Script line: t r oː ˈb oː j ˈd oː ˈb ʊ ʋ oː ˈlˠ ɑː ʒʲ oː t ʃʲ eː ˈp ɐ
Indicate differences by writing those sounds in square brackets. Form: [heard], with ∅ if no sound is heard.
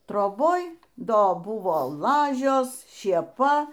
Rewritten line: t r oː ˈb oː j ˈd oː ˈb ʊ ʋ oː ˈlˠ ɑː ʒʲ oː [s] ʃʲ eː ˈp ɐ

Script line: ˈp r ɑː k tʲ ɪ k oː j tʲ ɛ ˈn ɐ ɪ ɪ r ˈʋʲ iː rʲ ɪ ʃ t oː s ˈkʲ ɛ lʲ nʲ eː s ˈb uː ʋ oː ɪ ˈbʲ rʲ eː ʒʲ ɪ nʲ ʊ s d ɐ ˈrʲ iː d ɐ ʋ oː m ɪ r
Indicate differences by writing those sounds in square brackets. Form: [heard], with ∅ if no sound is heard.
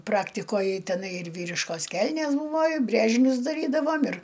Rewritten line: ˈp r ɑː k tʲ ɪ k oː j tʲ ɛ ˈn ɐ ɪ ɪ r ˈʋʲ iː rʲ ɪ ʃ [k] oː s ˈkʲ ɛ lʲ nʲ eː s ˈb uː ʋ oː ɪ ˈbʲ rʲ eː ʒʲ ɪ nʲ ʊ s d ɐ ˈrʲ iː d ɐ ʋ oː m ɪ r

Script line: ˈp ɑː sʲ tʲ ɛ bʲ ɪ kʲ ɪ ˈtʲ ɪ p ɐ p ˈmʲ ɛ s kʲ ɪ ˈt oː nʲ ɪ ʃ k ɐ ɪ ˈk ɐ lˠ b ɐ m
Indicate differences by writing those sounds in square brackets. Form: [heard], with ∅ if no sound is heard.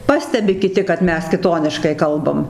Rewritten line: ˈp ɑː sʲ tʲ ɛ bʲ ɪ kʲ ɪ ˈtʲ ɪ [k] ɐ [t] ˈmʲ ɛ s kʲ ɪ ˈt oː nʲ ɪ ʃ k ɐ ɪ ˈk ɐ lˠ b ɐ m

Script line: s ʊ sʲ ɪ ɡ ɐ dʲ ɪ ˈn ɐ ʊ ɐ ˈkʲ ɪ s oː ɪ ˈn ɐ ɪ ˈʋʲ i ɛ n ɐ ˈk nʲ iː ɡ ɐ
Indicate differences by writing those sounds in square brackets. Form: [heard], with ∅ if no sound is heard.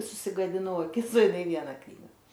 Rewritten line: s ʊ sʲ ɪ ɡ ɐ dʲ ɪ ˈn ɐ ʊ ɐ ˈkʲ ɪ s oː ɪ ˈn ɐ ɪ ˈʋʲ i ɛ n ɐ ˈk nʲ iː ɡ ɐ

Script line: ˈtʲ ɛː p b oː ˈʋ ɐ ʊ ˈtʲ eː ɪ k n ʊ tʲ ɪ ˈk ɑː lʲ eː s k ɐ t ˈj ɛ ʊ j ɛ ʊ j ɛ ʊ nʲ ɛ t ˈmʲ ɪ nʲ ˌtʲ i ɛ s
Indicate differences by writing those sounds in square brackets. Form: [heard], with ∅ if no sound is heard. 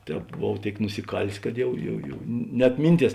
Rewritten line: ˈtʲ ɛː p b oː ˈʋ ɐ ʊ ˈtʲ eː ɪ k n ʊ [sʲ] ɪ ˈk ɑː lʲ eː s k ɐ t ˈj ɛ ʊ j ɛ ʊ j ɛ ʊ nʲ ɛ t ˈmʲ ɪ nʲ ˌtʲ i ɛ s

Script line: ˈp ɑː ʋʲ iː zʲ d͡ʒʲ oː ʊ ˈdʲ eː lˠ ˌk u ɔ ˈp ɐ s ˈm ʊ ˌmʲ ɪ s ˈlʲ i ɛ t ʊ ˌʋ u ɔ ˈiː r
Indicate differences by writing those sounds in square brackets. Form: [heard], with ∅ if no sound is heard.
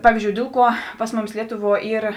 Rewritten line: ˈp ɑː ʋʲ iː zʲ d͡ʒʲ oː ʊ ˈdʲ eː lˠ ˌk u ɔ ˈp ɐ s ˈm ʊ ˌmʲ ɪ s ˈlʲ i ɛ t ʊ ˌʋ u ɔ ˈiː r

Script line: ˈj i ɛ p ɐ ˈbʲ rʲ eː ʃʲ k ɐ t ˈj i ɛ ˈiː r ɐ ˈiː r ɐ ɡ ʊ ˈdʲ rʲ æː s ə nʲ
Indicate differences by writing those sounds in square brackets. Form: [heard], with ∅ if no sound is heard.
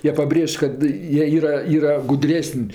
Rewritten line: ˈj i ɛ p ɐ ˈbʲ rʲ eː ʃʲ k ɐ t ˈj i ɛ ˈiː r ɐ ˈiː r ɐ ɡ ʊ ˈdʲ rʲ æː s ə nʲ

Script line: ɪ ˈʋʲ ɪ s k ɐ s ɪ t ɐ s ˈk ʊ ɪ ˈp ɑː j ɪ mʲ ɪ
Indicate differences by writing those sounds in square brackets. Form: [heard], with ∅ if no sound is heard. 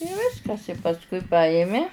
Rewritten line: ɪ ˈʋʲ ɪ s k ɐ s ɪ [p] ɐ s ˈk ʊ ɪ ˈp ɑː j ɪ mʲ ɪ

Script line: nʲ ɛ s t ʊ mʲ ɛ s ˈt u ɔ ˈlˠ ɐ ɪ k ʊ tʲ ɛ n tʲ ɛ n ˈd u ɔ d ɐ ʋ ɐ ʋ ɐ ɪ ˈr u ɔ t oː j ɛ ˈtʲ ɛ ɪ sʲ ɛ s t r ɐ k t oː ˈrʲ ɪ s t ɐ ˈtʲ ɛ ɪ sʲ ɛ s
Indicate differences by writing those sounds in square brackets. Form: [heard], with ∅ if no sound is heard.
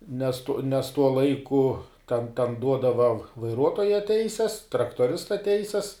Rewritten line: nʲ ɛ s t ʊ [nʲ] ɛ s ˈt u ɔ ˈlˠ ɐ ɪ k ʊ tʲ ɛ n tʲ ɛ n ˈd u ɔ d ɐ ʋ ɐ ʋ ɐ ɪ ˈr u ɔ t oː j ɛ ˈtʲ ɛ ɪ sʲ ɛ s t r ɐ k t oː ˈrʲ ɪ s t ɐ ˈtʲ ɛ ɪ sʲ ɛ s

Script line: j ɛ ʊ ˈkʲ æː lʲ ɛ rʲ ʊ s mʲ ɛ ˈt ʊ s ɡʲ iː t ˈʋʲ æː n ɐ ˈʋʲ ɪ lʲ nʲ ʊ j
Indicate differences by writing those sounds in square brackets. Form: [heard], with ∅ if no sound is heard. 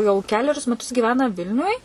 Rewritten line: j ɛ ʊ ˈkʲ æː lʲ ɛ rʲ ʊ s mʲ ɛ ˈt ʊ s ɡʲ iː [∅] ˈʋʲ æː n ɐ ˈʋʲ ɪ lʲ nʲ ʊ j

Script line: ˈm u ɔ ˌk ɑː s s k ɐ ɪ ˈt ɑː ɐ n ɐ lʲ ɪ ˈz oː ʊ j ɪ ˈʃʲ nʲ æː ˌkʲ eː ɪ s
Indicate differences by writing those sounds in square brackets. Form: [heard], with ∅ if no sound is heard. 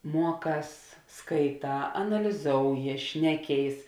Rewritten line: ˈm u ɔ ˌk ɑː s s k ɐ ɪ ˈt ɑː ɐ n ɐ lʲ ɪ ˈz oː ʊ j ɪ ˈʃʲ nʲ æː ˌkʲ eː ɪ s

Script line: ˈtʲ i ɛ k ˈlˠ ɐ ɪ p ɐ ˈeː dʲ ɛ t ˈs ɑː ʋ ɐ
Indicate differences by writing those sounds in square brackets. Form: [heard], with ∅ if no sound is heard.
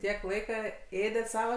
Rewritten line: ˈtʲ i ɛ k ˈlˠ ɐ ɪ [k] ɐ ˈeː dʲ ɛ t ˈs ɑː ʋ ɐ

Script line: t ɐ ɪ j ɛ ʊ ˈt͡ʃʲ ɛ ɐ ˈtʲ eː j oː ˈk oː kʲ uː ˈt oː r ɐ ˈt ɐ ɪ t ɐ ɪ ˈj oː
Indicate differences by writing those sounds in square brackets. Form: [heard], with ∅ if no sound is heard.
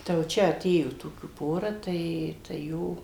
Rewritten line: t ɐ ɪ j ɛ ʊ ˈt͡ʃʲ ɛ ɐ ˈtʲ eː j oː [ˈt] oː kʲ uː [ˈp] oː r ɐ ˈt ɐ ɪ t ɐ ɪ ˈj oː

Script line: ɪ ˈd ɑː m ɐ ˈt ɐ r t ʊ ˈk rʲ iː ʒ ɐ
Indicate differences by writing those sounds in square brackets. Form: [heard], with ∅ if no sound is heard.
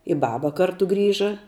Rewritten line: ɪ [ˈb] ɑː [b] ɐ [ˈk] ɐ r t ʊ [ˈɡ] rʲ iː ʒ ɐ

